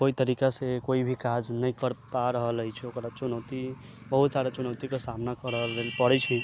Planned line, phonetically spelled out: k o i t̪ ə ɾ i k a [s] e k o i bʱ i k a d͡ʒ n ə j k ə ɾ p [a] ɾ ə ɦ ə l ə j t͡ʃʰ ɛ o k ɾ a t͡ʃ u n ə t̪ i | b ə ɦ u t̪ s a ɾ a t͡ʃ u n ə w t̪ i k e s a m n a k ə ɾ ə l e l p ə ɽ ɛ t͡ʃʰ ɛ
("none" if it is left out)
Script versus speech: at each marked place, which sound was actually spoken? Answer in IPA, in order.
s, a

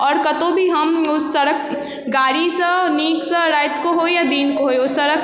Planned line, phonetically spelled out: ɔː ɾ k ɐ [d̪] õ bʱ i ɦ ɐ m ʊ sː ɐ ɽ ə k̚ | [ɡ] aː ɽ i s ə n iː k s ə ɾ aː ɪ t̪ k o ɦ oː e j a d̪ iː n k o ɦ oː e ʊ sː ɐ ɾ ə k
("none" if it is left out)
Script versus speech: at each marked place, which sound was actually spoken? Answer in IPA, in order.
t̪, ɡ

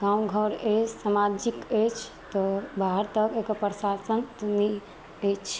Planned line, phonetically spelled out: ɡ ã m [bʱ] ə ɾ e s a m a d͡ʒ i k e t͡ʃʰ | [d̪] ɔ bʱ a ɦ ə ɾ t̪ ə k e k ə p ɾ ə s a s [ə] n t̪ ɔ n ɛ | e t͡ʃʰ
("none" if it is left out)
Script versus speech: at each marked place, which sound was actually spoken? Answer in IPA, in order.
ɡʱ, t̪, ə

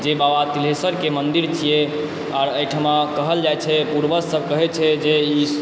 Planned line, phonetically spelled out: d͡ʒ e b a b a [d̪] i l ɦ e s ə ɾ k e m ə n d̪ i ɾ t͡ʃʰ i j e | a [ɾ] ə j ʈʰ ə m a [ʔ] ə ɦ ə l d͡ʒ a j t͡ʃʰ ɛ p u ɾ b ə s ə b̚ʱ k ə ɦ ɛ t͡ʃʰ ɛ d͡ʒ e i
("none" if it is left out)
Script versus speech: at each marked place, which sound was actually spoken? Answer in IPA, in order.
t̪, ɾ, k

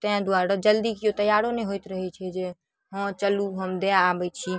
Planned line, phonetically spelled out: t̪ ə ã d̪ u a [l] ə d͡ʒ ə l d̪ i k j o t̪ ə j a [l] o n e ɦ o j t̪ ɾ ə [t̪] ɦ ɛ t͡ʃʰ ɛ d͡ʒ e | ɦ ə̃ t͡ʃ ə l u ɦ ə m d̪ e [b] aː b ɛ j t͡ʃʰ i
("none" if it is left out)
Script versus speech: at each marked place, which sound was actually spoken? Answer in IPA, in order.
ɾ, ɾ, none, none

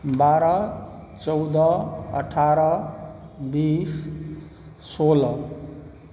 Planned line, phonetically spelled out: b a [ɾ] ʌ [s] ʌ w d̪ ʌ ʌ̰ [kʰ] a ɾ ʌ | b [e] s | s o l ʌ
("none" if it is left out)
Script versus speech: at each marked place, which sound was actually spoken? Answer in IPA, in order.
ɾ, t͡s, ʈʰ, i

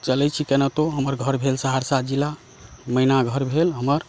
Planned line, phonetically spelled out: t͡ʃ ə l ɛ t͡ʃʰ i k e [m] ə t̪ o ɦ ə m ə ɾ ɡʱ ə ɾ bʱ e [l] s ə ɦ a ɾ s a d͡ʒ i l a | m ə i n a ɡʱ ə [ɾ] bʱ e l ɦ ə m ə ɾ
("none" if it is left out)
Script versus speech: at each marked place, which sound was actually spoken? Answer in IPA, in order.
n, l, ɾ

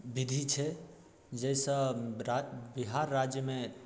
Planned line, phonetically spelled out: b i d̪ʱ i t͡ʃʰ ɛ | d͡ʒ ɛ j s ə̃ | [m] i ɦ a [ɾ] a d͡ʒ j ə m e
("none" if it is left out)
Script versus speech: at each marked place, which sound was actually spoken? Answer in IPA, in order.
b, ɾː

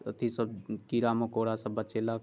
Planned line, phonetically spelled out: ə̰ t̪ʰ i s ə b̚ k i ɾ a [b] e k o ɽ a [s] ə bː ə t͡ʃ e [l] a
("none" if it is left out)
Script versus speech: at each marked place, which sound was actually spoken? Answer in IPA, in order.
m, s, l

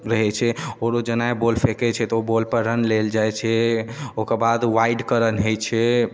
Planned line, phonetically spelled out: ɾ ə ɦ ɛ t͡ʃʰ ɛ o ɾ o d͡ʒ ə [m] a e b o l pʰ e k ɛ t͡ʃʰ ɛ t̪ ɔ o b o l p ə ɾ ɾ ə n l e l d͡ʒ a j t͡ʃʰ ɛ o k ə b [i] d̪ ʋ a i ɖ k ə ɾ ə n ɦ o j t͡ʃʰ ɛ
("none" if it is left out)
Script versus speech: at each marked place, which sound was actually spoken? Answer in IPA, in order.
n, a

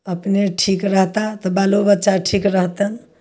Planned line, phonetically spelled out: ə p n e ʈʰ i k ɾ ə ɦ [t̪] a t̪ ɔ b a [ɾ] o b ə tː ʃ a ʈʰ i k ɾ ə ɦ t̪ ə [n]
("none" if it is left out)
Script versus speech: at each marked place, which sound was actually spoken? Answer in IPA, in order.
t̪, l, n

